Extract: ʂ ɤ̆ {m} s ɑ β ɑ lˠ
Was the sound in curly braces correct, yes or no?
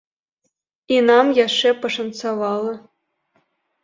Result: no